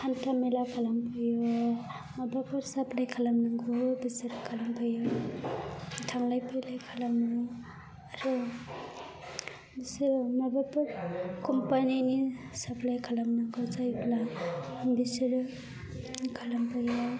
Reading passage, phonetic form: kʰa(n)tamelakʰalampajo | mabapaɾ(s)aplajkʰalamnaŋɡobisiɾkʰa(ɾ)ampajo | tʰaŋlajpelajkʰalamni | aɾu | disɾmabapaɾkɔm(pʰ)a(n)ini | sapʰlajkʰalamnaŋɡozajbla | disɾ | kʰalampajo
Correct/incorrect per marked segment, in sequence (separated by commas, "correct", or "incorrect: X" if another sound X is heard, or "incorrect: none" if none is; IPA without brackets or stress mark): correct, correct, incorrect: l, incorrect: p, correct